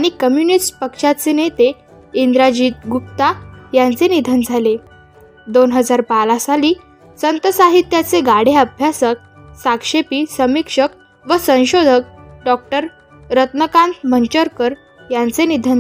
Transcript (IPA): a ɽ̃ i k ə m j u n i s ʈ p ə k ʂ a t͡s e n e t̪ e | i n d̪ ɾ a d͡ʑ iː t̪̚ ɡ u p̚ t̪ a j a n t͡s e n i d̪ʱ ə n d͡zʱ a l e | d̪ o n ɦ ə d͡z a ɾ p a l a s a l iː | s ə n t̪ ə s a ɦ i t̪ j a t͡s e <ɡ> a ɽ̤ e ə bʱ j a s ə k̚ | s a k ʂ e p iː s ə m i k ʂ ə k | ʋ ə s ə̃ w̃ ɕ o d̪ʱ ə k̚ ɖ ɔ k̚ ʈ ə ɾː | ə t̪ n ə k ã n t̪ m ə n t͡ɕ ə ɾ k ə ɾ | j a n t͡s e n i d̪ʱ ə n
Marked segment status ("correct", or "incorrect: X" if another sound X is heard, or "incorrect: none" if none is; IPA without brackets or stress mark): correct